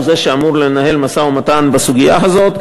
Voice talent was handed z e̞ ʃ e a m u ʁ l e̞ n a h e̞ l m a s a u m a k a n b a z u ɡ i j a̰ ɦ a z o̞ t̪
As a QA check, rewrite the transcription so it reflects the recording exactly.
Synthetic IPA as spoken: z e̞ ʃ e a m u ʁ l e̞ n a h e̞ l m a s a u m a t a n b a s u ɡ i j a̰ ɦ a z o̞ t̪